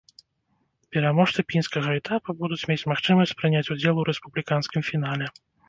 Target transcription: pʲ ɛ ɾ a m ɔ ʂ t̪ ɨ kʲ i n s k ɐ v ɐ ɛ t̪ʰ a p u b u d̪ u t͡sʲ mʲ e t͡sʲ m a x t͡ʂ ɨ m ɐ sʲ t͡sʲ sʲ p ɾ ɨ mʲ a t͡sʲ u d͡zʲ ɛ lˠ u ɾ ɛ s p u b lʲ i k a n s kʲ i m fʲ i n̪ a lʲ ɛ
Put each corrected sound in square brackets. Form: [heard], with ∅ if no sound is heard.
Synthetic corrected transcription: pʲ ɛ ɾ a m ɔ ʂ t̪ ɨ [pʲ] i n s k ɐ [ɣ] ɐ ɛ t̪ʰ a p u b u d̪ u t͡sʲ mʲ e t͡sʲ m a x t͡ʂ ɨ m ɐ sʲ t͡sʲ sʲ p ɾ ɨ [nʲ] a t͡sʲ u d͡zʲ ɛ lˠ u ɾ ɛ s p u b lʲ i k a n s kʲ i m fʲ i n̪ a lʲ ɛ